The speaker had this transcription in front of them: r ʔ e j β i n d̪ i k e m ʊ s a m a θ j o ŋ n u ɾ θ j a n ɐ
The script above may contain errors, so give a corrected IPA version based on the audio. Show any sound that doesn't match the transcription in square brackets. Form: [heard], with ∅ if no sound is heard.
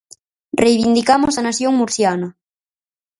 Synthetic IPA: r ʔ e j β i n d̪ i k [a] m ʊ s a [n] a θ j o ŋ [m] u ɾ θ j a n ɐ